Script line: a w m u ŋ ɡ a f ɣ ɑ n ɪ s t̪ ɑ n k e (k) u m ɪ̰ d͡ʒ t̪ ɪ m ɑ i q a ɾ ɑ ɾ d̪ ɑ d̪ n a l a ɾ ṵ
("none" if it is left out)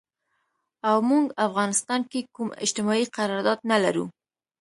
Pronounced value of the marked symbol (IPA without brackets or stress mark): k